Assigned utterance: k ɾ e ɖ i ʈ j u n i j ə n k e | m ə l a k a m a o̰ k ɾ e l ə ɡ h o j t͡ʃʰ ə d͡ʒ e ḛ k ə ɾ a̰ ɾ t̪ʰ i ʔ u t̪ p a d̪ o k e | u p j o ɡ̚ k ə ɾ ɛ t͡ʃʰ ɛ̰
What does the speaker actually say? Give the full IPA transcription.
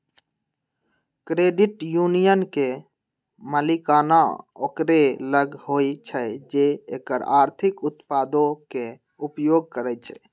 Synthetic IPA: k ɾ e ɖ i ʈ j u n i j ə n k e | m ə l i k a n a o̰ k ɾ e l ə ɡ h o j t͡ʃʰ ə d͡ʒ e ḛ k ə ɾ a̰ ɾ t̪ʰ i k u t̪ p a d̪ o k e | u p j o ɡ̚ k ə ɾ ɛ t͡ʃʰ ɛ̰